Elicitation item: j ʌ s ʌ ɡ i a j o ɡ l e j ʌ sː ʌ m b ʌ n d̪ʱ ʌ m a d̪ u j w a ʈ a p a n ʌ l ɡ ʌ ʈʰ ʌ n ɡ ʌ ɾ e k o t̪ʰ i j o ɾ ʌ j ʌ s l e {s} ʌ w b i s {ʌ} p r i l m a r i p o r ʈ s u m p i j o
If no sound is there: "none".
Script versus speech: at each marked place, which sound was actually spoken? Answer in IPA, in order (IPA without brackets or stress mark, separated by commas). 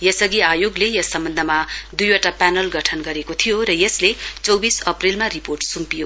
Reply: t͡s, ʌ